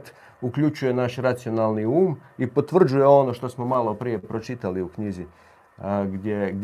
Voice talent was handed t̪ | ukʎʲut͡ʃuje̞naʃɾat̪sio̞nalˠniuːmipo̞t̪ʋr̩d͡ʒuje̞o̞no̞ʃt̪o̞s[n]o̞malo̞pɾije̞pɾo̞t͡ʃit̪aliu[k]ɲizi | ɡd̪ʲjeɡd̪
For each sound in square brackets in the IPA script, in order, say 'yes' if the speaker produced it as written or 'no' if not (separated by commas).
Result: no, yes